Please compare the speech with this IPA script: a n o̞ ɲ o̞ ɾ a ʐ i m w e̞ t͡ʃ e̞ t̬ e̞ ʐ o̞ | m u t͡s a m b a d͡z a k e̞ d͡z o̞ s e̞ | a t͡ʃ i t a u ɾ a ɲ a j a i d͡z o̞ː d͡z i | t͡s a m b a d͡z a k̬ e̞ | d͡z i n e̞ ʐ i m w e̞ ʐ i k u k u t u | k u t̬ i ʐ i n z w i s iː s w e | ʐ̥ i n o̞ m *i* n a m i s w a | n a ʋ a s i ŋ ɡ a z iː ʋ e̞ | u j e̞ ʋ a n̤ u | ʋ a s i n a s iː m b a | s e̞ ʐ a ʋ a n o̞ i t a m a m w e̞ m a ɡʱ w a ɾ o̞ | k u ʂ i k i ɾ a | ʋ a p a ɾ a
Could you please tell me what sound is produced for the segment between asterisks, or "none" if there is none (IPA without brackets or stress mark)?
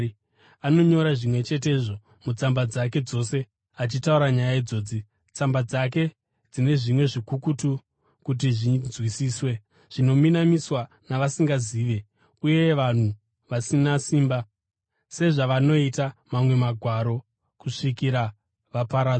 i